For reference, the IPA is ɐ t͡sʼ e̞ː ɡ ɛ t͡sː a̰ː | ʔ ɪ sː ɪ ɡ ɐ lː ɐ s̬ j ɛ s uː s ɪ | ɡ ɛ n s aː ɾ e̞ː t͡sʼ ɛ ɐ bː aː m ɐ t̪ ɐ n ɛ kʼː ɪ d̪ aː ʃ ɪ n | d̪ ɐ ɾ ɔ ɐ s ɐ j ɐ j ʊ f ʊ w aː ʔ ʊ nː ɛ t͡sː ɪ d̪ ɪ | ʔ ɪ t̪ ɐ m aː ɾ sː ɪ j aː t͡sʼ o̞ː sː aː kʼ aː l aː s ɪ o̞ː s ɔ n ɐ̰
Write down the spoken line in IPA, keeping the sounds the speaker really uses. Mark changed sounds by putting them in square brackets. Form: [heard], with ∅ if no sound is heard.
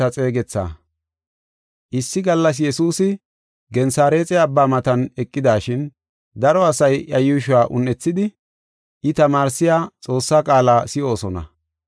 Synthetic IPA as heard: ɐ t͡sʼ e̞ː ɡ ɛ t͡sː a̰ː | ʔ ɪ sː ɪ ɡ ɐ lː ɐ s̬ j ɛ s uː s ɪ | ɡ ɛ n s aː ɾ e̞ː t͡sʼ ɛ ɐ bː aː m ɐ t̪ ɐ n ɛ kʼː ɪ d̪ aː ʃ ɪ n | d̪ ɐ ɾ ɔ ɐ s ɐ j ɐ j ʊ [ʃ] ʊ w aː ʔ ʊ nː ɛ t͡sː ɪ d̪ ɪ | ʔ ɪ t̪ ɐ m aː ɾ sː ɪ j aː t͡sʼ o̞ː sː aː kʼ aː l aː s ɪ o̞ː s ɔ n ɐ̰